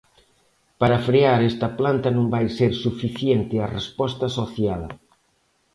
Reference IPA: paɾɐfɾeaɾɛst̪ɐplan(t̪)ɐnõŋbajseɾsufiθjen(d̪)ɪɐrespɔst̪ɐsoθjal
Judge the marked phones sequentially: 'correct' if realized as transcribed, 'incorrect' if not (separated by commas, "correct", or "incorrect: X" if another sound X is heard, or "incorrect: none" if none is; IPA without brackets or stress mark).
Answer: correct, incorrect: t̪